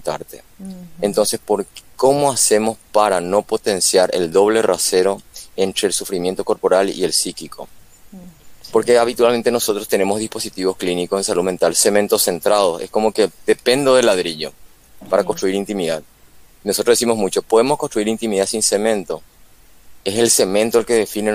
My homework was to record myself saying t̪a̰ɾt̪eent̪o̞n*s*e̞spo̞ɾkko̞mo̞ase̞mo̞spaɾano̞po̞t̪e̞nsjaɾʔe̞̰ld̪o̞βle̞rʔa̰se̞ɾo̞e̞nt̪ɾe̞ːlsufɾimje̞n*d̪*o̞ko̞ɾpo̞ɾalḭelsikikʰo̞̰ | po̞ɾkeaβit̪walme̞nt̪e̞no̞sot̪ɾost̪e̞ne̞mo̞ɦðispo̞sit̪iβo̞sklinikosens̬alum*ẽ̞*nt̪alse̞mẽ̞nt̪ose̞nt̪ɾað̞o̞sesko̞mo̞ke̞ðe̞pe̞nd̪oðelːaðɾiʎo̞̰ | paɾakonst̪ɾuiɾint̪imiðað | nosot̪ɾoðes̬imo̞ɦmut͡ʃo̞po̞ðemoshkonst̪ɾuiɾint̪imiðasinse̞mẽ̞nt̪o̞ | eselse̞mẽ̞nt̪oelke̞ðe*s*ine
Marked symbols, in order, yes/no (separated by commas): yes, no, no, no